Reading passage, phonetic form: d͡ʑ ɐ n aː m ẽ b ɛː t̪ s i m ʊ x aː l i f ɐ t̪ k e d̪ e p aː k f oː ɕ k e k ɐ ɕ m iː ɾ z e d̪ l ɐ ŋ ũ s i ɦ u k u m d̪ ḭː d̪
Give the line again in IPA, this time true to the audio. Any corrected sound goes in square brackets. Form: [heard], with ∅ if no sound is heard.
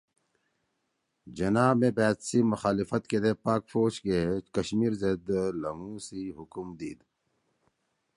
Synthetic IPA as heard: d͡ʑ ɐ n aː m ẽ b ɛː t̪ s i m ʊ x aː l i f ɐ t̪ k e d̪ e p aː k f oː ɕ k e k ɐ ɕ m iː ɾ z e d̪ l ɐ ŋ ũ s i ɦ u k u m d̪ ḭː d̪

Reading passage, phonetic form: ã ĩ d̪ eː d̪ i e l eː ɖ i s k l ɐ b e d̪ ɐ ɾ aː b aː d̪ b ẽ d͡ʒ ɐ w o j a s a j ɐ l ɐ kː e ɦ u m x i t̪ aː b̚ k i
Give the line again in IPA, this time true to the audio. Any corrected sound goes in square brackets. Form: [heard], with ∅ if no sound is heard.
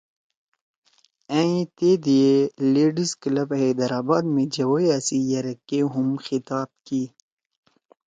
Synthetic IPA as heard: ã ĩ [t̪] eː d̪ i e l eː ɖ i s k l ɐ b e d̪ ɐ ɾ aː b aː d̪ [m] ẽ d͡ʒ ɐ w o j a s [i] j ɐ [ɾ] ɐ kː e ɦ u m x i t̪ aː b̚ k i

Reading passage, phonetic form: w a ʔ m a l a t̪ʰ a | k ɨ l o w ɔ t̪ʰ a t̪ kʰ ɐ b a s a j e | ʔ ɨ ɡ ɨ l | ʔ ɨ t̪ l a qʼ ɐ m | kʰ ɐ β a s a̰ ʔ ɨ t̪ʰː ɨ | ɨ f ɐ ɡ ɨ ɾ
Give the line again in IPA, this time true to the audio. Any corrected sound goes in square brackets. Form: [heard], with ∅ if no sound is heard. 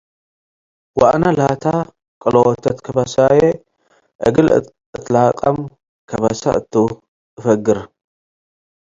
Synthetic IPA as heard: w a ʔ [n] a l a t̪ʰ a | [kʼ] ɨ l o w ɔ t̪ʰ [ɐ] t̪ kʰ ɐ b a s a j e | ʔ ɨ ɡ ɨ l | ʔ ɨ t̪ l a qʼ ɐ m | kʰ ɐ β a s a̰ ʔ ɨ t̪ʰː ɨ | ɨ f ɐ ɡ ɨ ɾ

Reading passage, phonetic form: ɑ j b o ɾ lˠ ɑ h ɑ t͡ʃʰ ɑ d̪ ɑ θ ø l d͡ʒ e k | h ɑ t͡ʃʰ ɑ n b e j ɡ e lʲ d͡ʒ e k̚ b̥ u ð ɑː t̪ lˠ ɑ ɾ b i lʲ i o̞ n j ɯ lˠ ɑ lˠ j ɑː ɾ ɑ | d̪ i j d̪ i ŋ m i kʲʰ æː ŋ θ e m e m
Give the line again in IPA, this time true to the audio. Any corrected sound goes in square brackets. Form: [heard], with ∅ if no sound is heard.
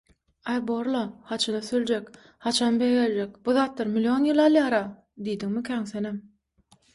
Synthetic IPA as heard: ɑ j b o ɾ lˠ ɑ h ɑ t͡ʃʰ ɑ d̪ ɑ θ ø l d͡ʒ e k | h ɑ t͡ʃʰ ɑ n b e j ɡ e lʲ d͡ʒ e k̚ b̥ u ð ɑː t̪ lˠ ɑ ɾ [m] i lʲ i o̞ n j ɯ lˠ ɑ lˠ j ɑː ɾ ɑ | d̪ i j d̪ i ŋ m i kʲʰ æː ŋ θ e [n] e m

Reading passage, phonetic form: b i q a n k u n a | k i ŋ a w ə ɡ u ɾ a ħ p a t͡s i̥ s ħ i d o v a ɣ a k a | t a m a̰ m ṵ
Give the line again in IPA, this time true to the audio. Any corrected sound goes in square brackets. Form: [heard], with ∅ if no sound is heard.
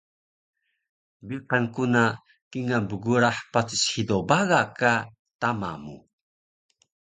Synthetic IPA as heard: b i q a n k u n a | k i ŋ a [b] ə ɡ u ɾ a ħ p a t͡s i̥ s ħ i d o [b] a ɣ a k a | t a m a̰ m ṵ

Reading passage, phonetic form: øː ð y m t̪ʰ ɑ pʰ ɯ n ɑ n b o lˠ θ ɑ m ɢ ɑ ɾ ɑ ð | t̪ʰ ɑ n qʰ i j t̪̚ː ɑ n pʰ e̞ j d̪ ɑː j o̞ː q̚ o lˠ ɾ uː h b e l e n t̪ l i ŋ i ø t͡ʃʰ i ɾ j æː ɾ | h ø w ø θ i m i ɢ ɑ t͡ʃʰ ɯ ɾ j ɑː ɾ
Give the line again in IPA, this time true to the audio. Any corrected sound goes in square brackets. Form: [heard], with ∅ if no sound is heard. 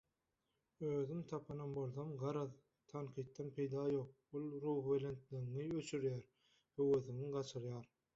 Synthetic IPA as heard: øː ð y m t̪ʰ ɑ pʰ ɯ n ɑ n b o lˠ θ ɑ m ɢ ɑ ɾ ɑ ð | t̪ʰ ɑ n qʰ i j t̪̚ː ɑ n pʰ e̞ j d̪ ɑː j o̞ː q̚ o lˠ ɾ uː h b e l e n t̪ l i ŋ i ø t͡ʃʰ [y] ɾ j æː ɾ | h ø w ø θ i [ŋ] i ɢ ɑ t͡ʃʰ ɯ ɾ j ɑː ɾ

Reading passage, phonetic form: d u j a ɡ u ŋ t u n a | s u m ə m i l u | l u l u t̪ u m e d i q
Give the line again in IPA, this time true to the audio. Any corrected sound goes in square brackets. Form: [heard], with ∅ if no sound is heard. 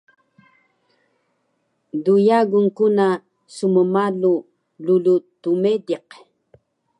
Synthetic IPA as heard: d u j a ɡ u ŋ [k] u n a | s u m ə m [a] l u | l u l u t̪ u m e d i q

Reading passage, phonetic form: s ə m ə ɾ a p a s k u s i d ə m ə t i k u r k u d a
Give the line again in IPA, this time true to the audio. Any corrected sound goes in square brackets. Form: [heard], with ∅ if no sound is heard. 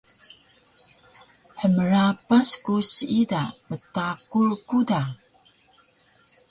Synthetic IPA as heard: [ħ] ə m ə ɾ a p a s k u s i d [a] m ə t [a] k u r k u d a

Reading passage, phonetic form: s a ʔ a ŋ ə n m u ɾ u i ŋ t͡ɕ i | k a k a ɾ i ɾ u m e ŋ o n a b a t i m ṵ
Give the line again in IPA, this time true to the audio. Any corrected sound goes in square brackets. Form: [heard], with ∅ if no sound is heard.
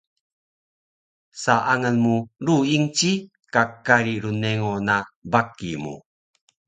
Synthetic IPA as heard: s a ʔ a ŋ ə n m u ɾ u i ŋ t͡ɕ i | k a k a ɾ i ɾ u [n] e ŋ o n a b a [k] i m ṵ

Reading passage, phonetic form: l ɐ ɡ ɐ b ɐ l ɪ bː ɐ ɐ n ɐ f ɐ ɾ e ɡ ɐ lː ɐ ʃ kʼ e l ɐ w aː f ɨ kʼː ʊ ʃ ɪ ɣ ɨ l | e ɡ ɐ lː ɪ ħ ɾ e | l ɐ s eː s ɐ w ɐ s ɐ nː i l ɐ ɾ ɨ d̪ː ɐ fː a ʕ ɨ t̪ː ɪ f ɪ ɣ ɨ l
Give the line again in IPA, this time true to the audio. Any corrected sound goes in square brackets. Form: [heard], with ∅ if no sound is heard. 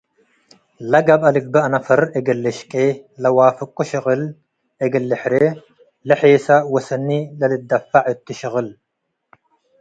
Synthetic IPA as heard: l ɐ ɡ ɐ b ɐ l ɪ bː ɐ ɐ n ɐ f ɐ ɾ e ɡ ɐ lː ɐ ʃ kʼ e l ɐ w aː f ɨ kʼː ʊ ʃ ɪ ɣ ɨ l | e ɡ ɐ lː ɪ ħ ɾ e | l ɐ [ħ] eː s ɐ w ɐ s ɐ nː i l ɐ [l] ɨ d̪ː ɐ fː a ʕ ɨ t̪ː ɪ [ʃ] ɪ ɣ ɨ l

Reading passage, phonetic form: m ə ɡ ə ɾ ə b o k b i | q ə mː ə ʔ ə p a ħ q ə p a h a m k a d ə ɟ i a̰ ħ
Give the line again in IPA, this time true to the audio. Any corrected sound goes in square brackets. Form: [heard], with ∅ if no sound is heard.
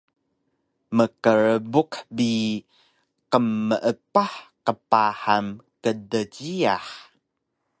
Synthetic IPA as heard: m ə [k] ə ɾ ə b [u] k b i | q ə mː ə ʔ ə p a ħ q ə p a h a m k [ə] d ə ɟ i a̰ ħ

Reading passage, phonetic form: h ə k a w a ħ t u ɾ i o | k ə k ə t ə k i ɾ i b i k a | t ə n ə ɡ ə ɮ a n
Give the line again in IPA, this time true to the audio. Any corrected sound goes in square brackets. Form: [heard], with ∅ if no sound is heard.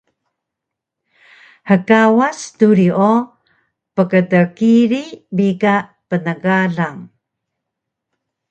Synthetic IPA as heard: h ə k a w a [s] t u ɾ i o | [p] ə k ə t ə k i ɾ i b i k a | [p] ə n ə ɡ [a] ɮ a [ŋ]

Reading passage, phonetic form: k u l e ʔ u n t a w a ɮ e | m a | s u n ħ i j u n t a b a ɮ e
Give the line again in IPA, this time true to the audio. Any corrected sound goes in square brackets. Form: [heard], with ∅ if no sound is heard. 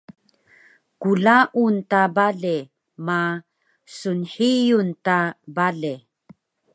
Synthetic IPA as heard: k u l [a] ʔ u n t a [b] a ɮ e | m a | s u n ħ i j u n t a b a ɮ e

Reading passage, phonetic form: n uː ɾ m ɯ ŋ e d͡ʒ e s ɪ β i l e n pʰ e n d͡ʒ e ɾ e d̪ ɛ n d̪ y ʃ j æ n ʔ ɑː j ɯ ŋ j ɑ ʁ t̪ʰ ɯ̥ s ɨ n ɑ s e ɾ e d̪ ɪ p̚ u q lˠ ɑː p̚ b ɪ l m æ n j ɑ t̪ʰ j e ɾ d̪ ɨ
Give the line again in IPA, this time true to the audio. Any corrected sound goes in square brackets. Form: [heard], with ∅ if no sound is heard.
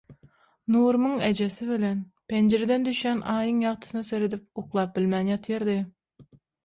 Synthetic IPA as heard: n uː ɾ m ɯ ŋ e d͡ʒ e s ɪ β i l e n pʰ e n d͡ʒ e ɾ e d̪ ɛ n d̪ y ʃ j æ n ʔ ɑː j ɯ ŋ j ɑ ʁ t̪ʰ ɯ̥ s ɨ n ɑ s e ɾ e d̪ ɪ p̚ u q lˠ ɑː p̚ b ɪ l m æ n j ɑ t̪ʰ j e ɾ d̪ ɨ

